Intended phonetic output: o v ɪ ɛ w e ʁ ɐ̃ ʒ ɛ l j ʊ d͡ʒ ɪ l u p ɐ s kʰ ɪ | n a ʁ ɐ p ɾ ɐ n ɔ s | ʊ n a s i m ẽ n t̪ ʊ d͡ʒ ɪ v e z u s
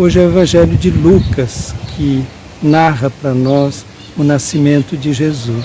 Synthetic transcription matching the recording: o ʒ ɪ ɛ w e v ɐ̃ ʒ ɛ l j ʊ d͡ʒ ɪ l u k ɐ s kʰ ɪ | n a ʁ ɐ p ɾ ɐ n ɔ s | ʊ n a s i m ẽ n t̪ ʊ d͡ʒ ɪ ʒ e z u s